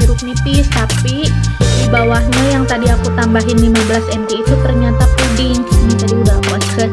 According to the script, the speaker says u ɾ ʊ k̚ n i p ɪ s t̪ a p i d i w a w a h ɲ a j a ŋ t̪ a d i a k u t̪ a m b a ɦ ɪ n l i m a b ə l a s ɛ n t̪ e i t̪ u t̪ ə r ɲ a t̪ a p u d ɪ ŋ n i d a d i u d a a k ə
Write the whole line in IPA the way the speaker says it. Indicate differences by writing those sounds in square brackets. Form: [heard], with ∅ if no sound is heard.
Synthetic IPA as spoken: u ɾ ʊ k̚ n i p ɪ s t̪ a p i d i [b] a w a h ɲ a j a ŋ t̪ a d i a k u t̪ a m b a ɦ ɪ n l i m a b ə l a s ɛ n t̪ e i t̪ u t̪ ə r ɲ a t̪ a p u d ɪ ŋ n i [d͡ʒ] a d i u d a a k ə